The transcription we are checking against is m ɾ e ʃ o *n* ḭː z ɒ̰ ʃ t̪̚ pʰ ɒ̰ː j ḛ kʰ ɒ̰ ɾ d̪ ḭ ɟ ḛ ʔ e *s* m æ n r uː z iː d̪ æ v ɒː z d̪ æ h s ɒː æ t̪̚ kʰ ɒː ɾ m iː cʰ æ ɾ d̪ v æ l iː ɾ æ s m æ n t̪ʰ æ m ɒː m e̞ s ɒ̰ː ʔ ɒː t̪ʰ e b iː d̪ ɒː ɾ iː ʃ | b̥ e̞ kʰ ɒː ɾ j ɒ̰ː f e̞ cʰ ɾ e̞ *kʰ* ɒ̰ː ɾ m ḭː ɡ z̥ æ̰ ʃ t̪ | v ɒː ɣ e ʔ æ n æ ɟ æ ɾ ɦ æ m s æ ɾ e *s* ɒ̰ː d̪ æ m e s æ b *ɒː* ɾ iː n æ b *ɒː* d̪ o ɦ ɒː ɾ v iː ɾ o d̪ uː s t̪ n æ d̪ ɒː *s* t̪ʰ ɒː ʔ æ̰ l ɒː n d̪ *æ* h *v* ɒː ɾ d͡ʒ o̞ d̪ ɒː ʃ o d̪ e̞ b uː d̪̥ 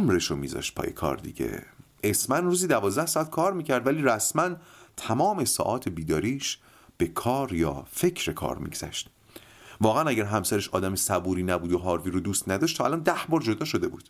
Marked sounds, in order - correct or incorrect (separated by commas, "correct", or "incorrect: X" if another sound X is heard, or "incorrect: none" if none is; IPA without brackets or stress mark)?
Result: incorrect: m, correct, correct, incorrect: ʃ, incorrect: uː, incorrect: uː, incorrect: ʃ, correct, incorrect: b